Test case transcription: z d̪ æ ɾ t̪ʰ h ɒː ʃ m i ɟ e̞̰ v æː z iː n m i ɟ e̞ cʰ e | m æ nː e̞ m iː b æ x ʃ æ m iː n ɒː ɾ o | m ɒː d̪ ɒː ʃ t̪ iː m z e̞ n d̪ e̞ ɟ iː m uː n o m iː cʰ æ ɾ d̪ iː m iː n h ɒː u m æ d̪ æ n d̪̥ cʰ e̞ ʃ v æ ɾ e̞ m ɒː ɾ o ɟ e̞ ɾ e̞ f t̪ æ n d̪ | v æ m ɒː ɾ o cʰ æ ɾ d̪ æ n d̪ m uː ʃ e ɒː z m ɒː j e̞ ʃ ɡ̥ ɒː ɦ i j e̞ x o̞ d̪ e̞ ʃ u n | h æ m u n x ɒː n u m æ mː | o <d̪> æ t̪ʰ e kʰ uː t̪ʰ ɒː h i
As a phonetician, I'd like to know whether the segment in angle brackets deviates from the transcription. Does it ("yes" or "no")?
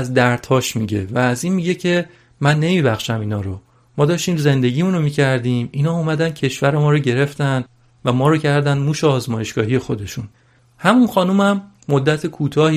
yes